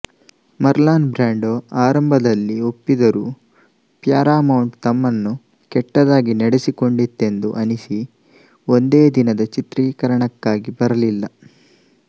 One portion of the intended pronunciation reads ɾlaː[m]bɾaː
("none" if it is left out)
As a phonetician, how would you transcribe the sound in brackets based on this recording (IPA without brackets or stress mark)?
n